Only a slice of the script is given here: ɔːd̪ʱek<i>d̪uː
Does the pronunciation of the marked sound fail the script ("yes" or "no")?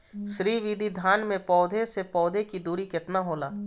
no